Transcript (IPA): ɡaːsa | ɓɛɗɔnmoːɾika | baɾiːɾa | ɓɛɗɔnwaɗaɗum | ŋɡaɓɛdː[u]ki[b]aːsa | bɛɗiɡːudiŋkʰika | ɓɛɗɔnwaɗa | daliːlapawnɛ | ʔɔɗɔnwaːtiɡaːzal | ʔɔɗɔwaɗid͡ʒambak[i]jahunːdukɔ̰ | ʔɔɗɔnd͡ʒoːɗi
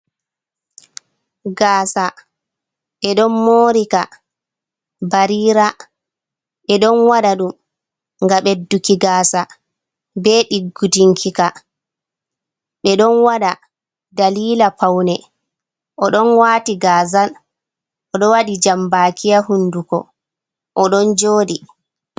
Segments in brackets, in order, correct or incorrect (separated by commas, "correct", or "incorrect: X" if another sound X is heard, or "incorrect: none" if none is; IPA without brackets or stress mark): correct, incorrect: ɡ, correct